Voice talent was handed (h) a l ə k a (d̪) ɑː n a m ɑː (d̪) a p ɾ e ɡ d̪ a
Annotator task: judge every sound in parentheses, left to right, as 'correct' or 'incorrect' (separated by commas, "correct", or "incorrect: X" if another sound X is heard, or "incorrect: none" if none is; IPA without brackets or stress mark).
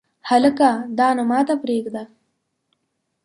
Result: correct, correct, incorrect: t̪